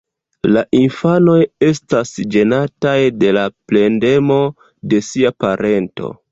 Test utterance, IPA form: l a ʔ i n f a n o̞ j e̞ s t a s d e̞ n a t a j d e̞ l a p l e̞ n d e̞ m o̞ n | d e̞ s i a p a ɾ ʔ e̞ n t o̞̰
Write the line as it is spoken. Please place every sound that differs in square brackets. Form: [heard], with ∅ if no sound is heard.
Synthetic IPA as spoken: l a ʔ i n f a n o̞ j e̞ s t a s [d͡ʒ] e̞ n a t a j d e̞ l a p l e̞ n d e̞ m o̞ [∅] | d e̞ s i a p a ɾ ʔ e̞ n t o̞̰